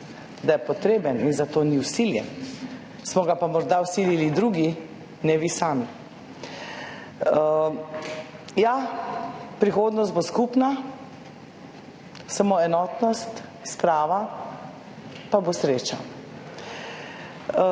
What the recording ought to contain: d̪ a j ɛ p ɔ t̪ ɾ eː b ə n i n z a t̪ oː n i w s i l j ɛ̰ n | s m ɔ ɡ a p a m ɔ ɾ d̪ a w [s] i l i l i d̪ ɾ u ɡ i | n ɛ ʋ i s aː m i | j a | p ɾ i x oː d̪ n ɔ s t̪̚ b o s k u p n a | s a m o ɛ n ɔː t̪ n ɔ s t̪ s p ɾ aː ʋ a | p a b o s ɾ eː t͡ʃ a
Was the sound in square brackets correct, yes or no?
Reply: yes